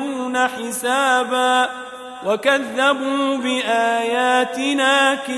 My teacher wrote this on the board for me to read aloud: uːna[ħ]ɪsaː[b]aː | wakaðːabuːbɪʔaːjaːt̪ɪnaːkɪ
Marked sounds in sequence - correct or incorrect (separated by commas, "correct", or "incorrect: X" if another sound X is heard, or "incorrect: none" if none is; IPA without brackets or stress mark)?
correct, correct